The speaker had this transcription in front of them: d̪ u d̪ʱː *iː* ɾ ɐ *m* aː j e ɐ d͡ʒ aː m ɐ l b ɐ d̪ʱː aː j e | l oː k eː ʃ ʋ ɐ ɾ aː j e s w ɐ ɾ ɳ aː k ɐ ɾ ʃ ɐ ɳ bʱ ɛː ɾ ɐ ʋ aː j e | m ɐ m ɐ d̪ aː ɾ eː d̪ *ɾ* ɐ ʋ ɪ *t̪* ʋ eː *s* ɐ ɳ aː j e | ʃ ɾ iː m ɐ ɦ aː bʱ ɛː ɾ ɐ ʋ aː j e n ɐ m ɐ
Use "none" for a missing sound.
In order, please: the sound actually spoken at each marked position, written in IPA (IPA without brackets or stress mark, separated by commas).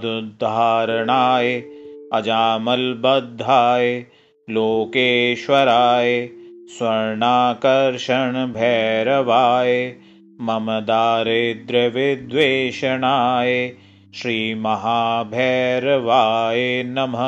aː, ɳ, ɾ, d̪, ʃ